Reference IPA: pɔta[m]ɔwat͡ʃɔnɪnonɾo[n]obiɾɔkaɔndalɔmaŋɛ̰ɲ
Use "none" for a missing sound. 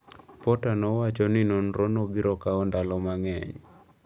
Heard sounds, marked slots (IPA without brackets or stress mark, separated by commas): n, n